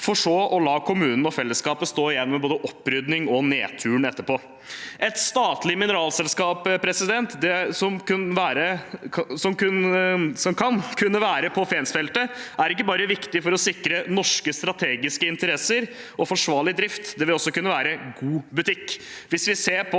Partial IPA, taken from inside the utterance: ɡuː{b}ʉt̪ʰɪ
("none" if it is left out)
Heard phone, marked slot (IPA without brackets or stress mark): b